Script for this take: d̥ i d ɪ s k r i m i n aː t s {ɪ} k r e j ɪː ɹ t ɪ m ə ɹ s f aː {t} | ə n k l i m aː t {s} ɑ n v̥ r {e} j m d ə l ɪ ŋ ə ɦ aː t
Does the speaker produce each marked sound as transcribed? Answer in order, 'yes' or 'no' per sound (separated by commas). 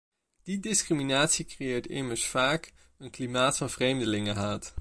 no, no, no, yes